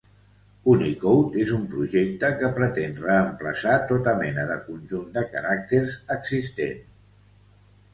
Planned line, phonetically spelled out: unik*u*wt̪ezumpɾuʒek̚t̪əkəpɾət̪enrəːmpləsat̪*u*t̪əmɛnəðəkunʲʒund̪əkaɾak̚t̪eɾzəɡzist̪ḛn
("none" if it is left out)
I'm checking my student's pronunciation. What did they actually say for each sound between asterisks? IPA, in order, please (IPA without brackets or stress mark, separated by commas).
o, o